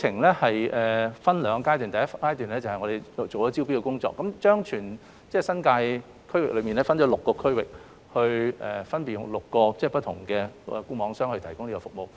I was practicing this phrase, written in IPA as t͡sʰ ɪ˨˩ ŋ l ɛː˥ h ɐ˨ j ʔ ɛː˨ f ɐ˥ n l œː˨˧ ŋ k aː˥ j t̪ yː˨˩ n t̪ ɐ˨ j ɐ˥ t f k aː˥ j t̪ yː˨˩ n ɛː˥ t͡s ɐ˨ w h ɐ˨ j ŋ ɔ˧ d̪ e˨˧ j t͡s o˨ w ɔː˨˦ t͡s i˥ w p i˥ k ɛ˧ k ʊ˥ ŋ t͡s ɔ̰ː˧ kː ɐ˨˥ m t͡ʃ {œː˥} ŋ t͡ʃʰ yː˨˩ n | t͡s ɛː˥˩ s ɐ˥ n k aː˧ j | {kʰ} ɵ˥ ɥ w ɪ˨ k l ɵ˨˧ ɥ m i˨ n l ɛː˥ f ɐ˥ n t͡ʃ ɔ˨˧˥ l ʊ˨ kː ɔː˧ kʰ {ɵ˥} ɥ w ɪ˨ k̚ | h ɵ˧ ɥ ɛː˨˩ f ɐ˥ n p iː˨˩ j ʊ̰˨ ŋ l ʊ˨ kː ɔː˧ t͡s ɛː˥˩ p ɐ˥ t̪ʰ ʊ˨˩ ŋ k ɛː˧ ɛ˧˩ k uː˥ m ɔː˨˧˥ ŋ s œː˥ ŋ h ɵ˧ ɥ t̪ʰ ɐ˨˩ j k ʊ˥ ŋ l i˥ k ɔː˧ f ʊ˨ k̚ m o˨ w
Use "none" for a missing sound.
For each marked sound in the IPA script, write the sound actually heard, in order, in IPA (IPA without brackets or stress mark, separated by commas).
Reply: œː˥, kʰ, ɵ˥